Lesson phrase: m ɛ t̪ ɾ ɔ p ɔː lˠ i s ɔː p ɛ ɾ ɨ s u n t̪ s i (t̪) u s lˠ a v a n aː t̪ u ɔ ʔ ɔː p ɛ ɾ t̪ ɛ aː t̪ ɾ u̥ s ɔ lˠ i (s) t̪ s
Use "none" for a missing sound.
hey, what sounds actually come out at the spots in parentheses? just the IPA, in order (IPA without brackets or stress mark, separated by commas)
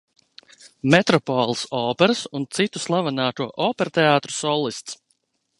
t̪, s